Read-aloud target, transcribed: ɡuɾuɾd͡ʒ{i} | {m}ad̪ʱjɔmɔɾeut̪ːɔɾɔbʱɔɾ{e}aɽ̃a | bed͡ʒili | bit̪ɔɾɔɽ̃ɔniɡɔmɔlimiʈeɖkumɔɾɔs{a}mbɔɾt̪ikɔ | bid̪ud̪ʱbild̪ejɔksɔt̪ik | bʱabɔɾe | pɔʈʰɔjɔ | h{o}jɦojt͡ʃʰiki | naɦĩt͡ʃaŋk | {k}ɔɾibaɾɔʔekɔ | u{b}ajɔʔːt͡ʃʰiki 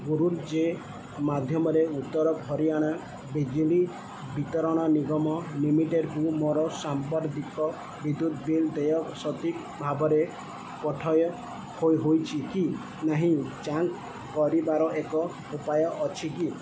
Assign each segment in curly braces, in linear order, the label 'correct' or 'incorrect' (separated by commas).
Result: incorrect, correct, incorrect, correct, correct, correct, incorrect